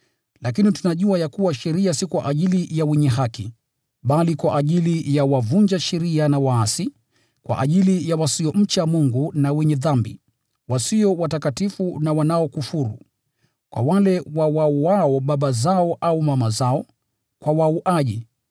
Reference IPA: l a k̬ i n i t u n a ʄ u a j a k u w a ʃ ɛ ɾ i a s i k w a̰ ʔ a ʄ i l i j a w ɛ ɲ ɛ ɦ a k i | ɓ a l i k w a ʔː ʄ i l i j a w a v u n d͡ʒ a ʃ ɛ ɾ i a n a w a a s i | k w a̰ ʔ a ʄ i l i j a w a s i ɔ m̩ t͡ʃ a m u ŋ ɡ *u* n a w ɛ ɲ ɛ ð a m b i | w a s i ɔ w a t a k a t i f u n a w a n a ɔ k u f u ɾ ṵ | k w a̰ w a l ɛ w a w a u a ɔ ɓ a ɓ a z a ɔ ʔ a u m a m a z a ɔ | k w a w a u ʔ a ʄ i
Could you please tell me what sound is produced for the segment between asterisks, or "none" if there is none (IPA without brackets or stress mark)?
u